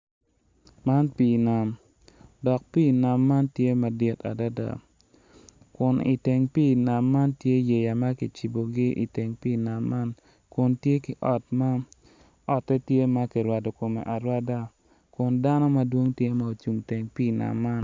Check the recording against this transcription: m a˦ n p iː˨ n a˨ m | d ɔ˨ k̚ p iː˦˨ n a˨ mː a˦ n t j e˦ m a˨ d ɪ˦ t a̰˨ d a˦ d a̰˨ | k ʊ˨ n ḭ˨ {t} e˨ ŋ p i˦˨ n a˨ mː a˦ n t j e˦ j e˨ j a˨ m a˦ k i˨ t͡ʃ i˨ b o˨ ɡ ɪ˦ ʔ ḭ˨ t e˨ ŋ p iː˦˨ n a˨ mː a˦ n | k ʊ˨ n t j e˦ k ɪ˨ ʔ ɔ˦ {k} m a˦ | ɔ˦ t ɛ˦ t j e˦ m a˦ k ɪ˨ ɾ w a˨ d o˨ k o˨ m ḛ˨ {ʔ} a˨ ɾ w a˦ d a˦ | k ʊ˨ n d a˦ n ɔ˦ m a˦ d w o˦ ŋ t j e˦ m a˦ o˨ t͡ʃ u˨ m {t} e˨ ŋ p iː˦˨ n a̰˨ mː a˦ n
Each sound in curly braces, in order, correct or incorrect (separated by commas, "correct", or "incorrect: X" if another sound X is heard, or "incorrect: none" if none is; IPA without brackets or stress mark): correct, incorrect: t, correct, correct